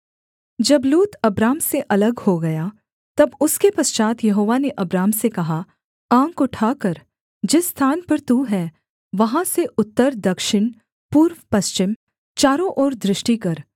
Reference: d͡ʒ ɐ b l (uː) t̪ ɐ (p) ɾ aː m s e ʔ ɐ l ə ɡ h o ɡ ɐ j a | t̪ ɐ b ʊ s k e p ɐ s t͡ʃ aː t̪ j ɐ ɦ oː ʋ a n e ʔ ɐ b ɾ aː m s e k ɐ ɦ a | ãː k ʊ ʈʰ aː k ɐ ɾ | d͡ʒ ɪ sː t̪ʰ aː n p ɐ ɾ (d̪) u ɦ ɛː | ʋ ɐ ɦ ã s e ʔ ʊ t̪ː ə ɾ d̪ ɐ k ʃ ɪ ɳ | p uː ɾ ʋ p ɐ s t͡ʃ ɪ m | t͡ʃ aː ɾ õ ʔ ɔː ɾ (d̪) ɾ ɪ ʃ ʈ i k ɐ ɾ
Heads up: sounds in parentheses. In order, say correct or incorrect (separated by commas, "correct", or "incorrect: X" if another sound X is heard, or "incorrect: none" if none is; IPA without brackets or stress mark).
correct, incorrect: b, incorrect: t̪, correct